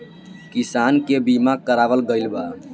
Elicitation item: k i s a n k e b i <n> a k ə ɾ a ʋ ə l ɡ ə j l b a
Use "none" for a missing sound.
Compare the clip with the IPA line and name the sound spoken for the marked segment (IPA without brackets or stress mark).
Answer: m